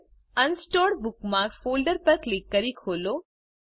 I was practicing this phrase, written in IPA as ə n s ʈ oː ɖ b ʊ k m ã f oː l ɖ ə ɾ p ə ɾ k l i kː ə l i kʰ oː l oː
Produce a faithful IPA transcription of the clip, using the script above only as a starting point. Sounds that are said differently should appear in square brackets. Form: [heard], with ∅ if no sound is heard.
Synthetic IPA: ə n s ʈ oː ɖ b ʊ k m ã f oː l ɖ ə ɾ p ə ɾ k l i kː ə [ɾ] i kʰ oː l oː